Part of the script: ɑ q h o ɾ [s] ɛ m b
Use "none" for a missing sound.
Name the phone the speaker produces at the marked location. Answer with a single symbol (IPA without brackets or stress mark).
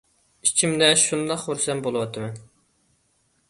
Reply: s